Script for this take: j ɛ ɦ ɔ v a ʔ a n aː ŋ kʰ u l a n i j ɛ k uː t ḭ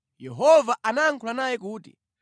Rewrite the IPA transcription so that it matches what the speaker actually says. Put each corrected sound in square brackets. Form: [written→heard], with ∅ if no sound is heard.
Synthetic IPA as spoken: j ɛ ɦ ɔ v a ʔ a n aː ŋ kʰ u l a n [i→a] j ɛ k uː t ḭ